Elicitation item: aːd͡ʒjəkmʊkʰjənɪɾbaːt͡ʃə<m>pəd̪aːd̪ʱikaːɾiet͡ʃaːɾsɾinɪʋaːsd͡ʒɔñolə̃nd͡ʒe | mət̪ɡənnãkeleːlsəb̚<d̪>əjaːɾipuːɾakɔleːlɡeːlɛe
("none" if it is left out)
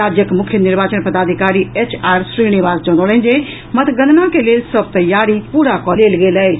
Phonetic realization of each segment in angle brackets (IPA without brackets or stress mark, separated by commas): n, t̪